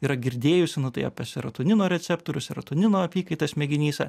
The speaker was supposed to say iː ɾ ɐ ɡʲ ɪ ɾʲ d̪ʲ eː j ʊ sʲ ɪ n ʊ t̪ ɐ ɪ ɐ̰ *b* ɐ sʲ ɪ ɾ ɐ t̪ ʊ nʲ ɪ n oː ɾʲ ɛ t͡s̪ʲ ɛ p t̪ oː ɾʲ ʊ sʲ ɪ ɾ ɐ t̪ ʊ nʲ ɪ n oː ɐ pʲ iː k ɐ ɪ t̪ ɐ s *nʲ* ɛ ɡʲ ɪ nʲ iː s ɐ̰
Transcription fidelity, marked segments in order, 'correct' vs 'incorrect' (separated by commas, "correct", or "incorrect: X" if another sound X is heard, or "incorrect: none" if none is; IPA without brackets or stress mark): incorrect: p, incorrect: mʲ